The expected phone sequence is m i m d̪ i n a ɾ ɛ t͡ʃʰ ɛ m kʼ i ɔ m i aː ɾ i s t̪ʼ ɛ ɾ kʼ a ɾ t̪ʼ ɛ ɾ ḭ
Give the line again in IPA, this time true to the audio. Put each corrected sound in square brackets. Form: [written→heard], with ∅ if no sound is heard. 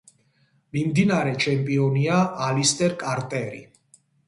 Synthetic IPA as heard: m i m d̪ i n a ɾ ɛ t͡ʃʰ ɛ m [kʼ→pʼ] i ɔ [m→n] i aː [ɾ→l] i s t̪ʼ ɛ ɾ kʼ a ɾ t̪ʼ ɛ ɾ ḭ

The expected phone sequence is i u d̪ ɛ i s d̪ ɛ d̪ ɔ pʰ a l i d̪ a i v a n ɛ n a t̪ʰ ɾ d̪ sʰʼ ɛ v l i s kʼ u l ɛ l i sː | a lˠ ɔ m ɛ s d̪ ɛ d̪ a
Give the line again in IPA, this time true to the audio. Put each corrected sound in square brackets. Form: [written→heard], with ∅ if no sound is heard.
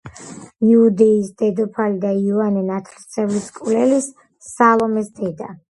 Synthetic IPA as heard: i u d̪ ɛ i s d̪ ɛ d̪ ɔ pʰ a l i d̪ a i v a n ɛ n a t̪ʰ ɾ [d̪→t̪] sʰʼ ɛ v l i s kʼ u l ɛ l i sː | a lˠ ɔ m ɛ s d̪ ɛ d̪ a

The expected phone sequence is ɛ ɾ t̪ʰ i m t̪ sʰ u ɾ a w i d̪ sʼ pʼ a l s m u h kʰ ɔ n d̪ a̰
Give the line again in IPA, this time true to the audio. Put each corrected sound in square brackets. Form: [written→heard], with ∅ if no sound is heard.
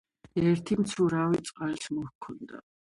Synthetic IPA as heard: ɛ ɾ t̪ʰ i m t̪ sʰ u ɾ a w i [d̪→t̪] sʼ [pʼ→qʼ] a l s m [u→ɔ] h kʰ ɔ n d̪ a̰

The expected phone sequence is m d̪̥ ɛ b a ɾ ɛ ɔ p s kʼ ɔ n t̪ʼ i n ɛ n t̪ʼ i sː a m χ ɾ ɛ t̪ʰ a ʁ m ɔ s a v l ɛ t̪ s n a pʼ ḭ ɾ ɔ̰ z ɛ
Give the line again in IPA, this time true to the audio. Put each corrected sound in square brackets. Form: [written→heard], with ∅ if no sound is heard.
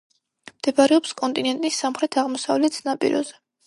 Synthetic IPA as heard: m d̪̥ ɛ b a ɾ ɛ ɔ p s kʼ ɔ n t̪ʼ i n ɛ n t̪ʼ i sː a m χ ɾ ɛ t̪ʰ a ʁ m ɔ s a v l ɛ t̪ s n a pʼ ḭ ɾ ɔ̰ z ɛ

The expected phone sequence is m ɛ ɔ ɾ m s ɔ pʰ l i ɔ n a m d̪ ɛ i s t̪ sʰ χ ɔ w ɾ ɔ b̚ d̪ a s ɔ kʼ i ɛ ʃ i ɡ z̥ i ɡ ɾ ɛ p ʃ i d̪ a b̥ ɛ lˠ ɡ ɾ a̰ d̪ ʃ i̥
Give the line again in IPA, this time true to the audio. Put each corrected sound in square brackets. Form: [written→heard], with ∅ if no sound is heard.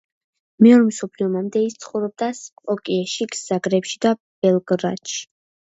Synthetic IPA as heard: m ɛ ɔ ɾ m s ɔ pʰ l i ɔ [n→m] a m d̪ ɛ i s t̪ sʰ χ ɔ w ɾ ɔ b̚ d̪ a s ɔ kʼ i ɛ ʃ i ɡ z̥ [i→a] ɡ ɾ ɛ p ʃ i d̪ a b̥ ɛ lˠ ɡ ɾ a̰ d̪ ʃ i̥

